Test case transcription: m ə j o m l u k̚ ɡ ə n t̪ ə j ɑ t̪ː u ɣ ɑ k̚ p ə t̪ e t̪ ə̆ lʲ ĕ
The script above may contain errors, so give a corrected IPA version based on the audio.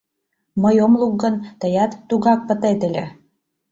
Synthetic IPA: m ə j o m l u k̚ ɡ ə n t̪ ə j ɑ t̪ː u ɣ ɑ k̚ p ə t̪ e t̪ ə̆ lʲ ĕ